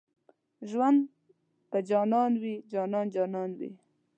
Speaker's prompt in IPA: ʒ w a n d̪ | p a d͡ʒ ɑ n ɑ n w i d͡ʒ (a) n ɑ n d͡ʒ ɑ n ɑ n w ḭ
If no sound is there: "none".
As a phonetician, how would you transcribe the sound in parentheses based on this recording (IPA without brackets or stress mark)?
ɑ